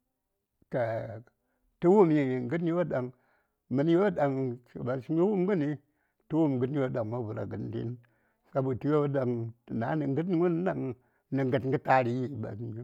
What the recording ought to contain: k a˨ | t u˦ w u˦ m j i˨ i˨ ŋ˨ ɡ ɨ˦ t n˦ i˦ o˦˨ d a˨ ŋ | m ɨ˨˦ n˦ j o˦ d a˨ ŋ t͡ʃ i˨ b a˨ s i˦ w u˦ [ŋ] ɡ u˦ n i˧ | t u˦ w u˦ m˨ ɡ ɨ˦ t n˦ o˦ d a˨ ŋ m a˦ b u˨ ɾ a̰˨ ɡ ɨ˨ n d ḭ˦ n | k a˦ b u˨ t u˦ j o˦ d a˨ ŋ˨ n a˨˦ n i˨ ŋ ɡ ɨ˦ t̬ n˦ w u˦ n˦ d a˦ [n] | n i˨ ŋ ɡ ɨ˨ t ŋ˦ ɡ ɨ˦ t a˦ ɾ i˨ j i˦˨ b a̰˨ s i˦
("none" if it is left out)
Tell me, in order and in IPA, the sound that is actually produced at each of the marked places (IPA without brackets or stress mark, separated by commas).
m, ŋ